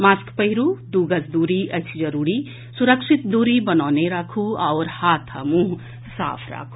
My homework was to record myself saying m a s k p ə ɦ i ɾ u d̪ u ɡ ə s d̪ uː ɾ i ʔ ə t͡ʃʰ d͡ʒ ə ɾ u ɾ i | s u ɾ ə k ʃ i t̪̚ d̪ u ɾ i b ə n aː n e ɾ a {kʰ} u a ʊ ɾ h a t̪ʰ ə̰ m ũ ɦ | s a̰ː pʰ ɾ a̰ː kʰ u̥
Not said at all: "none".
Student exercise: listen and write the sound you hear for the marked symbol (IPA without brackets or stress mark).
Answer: kʰ